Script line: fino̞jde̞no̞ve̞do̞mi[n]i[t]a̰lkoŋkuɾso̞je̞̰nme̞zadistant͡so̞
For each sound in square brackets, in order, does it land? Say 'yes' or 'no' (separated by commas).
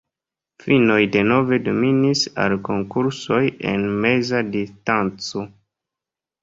yes, no